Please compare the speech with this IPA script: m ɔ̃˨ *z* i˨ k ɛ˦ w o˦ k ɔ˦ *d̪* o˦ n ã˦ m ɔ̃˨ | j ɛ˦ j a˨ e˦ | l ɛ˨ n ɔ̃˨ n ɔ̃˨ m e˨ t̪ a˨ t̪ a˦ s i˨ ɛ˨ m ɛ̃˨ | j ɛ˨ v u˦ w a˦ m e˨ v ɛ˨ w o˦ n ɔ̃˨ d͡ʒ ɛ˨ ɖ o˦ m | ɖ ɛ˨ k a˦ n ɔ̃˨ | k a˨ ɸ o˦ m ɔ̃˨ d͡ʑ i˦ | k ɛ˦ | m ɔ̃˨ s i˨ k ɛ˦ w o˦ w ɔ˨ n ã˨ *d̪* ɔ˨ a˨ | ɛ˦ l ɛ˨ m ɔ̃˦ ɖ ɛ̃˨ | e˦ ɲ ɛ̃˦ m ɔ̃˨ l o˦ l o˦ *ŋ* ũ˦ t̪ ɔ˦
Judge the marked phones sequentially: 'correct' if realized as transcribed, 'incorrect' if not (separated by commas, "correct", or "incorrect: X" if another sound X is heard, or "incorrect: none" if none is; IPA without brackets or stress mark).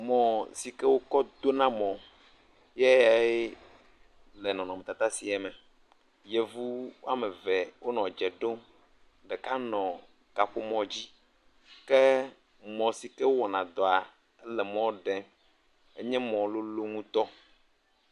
incorrect: s, correct, correct, correct